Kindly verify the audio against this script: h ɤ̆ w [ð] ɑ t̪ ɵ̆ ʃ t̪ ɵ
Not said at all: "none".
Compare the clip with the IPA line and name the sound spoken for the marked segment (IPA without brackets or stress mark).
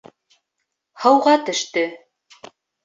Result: ʁ